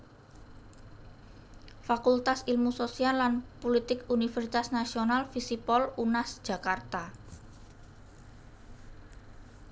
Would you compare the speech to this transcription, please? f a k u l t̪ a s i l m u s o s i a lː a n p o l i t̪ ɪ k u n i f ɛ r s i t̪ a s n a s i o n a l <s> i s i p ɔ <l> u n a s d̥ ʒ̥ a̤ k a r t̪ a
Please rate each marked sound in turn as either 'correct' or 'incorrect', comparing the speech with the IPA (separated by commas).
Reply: incorrect, correct